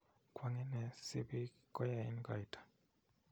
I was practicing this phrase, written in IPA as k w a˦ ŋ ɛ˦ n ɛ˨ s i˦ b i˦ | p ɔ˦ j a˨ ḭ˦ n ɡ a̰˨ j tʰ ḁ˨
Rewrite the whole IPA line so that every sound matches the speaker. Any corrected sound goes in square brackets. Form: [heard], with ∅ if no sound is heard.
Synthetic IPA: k w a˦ ŋ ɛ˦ n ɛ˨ s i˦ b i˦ | [k] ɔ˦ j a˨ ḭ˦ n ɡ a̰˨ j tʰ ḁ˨